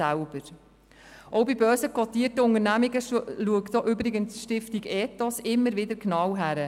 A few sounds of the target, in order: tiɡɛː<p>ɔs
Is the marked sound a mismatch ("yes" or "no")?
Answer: yes